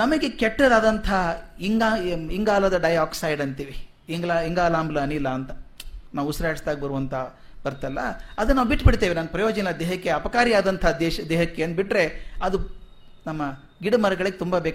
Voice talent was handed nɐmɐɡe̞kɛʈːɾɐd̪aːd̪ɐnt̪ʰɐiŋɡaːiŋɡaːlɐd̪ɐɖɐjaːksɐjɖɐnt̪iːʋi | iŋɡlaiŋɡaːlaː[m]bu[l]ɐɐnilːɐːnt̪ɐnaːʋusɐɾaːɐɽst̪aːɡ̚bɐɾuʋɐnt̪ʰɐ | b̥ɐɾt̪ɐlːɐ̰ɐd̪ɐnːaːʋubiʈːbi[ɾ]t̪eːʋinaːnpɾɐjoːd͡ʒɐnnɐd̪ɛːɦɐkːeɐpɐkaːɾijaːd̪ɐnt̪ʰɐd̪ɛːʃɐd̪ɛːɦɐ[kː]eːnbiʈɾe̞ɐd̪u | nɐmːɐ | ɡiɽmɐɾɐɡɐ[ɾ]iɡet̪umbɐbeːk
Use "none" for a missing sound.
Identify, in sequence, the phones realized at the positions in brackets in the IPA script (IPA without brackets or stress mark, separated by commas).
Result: m, l, ɽ, kː, ɭ